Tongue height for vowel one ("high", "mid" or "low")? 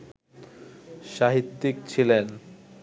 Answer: low